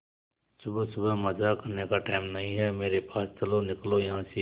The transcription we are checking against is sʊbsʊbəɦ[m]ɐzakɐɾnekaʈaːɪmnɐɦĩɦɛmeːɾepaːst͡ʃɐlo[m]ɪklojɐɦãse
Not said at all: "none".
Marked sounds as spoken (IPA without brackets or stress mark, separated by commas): m, n